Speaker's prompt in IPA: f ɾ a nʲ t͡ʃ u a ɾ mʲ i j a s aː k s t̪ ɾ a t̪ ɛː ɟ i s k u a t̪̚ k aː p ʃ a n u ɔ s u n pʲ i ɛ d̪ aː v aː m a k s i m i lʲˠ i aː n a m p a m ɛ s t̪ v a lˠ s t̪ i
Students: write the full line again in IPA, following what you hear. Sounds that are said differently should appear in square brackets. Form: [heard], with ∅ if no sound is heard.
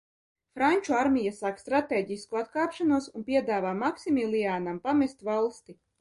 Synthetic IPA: f ɾ a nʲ t͡ʃ u a ɾ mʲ i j a s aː k s t̪ ɾ a t̪ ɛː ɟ i s k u a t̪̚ k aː p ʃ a n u ɔ s u n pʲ i ɛ d̪ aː v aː m a k s i m i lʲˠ i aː n a m p a m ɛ s t̪ v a lˠ s t̪ i